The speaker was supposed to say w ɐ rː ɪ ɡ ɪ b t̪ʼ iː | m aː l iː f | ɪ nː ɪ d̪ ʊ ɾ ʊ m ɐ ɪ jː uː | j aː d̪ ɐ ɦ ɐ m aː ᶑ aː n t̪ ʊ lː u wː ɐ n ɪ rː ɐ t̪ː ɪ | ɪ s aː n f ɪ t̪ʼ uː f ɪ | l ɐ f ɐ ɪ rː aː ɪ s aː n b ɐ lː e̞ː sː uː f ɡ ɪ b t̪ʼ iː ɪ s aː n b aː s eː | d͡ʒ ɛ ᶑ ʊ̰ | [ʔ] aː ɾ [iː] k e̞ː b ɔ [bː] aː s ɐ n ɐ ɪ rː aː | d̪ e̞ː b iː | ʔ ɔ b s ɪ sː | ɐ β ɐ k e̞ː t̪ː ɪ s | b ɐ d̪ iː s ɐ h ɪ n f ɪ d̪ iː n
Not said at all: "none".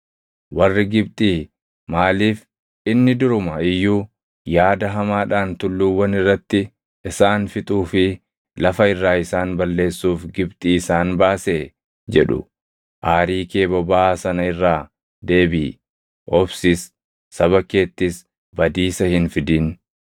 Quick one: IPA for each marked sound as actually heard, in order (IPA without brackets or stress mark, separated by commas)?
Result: ʔ, iː, b